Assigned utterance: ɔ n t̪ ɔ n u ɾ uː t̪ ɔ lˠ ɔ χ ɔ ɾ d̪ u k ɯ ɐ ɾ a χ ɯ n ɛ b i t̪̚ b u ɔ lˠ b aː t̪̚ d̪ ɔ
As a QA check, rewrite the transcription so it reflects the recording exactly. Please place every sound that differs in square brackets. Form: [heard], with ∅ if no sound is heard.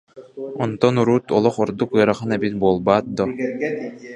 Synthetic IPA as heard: ɔ n t̪ ɔ n u ɾ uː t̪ ɔ lˠ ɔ χ ɔ ɾ d̪ u k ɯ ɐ ɾ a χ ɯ n ɛ b i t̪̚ b u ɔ lˠ b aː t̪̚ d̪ ɔ

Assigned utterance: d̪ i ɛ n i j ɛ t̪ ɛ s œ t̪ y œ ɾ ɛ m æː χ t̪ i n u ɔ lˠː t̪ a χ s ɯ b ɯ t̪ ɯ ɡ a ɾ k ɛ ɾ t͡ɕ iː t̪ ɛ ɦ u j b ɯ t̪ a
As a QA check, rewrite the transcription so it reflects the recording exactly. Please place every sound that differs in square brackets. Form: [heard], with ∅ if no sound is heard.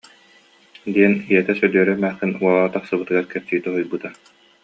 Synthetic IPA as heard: d̪ i ɛ n i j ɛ t̪ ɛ s œ [d̪] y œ ɾ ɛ m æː χ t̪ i n u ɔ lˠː t̪ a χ s ɯ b ɯ t̪ ɯ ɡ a ɾ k ɛ ɾ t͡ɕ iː t̪ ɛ ɦ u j b ɯ t̪ a

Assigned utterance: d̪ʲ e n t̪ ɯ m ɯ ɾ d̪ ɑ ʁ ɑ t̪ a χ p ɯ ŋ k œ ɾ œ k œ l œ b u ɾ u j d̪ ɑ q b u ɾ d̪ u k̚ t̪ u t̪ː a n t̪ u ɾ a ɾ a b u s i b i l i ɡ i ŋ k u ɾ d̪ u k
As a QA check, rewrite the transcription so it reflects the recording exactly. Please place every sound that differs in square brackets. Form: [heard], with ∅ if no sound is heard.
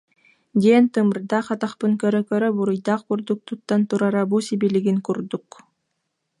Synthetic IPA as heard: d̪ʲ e n t̪ ɯ m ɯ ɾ d̪ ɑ [χ] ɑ t̪ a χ p ɯ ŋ k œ ɾ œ k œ [ɾ] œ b u ɾ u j d̪ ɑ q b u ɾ d̪ u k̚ t̪ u t̪ː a n t̪ u ɾ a ɾ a b u s i b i l i ɡ i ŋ k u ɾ d̪ u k

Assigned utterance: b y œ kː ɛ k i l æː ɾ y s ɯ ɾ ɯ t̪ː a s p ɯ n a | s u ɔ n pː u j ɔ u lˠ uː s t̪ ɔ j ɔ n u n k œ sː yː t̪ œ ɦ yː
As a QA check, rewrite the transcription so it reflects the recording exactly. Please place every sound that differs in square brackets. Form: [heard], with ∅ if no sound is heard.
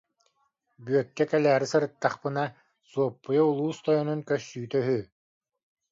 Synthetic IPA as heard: b y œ kː ɛ k [ɛ] l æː ɾ [i] s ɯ ɾ ɯ t̪ː a [χ] p ɯ n a | s u ɔ [∅] pː u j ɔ u lˠ uː s t̪ ɔ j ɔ n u n k œ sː yː t̪ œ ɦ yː

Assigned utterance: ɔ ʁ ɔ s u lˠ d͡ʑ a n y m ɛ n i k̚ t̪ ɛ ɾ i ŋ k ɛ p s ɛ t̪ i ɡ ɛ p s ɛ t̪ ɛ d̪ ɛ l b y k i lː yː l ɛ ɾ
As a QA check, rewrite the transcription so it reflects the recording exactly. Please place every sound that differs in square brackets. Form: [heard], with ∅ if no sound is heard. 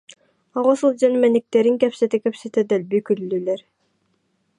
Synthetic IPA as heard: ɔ ʁ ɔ s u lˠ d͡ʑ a n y m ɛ n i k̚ t̪ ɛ ɾ i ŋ k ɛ p s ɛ t̪ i [k] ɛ p s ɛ t̪ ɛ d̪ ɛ l b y k [y] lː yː l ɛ ɾ

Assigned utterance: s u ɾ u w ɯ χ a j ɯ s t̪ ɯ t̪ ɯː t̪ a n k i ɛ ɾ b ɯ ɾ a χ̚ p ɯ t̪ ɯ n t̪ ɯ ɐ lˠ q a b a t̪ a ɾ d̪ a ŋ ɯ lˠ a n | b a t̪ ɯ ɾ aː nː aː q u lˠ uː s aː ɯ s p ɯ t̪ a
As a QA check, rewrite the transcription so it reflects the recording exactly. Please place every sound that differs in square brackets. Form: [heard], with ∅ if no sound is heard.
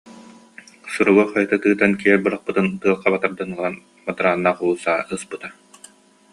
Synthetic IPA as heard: s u ɾ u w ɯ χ a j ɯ [∅] t̪ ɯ t̪ ɯː t̪ a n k i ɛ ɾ b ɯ ɾ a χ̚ p ɯ t̪ ɯ n t̪ ɯ ɐ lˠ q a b a t̪ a ɾ d̪ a [n] ɯ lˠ a n | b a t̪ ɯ ɾ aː nː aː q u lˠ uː s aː ɯ s p ɯ t̪ a

